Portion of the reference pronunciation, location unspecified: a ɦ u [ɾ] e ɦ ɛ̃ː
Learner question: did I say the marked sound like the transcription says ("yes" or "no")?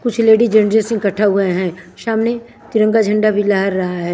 no